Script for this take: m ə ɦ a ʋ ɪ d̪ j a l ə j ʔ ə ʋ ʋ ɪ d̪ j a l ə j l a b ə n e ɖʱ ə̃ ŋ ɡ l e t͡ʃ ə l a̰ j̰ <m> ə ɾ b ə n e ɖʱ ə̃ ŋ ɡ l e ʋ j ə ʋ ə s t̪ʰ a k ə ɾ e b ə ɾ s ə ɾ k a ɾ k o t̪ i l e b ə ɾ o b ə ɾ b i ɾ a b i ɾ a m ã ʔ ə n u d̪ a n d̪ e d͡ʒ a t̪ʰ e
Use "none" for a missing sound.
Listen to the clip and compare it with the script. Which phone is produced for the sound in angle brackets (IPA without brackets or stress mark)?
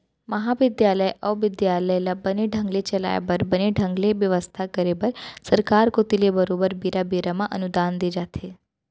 b